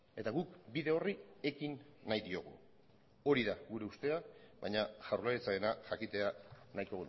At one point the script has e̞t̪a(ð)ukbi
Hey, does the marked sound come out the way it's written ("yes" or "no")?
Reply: no